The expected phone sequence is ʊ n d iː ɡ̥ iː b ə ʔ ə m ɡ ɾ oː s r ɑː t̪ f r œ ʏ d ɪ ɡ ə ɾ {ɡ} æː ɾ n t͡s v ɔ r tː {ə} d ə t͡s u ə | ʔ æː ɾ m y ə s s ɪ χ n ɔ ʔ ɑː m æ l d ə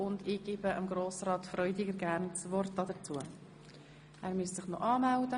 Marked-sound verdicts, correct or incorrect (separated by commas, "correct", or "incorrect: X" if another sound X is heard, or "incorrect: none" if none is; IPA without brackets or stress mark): correct, incorrect: ɑ